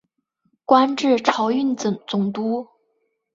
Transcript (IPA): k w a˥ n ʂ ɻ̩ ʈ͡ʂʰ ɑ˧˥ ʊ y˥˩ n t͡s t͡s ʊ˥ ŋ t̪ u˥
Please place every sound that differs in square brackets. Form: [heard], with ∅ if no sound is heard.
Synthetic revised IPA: k w a˥ n [ʈ͡ʂ] ɻ̩ ʈ͡ʂʰ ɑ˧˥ ʊ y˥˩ n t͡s t͡s [ʊ˨˩] ŋ t̪ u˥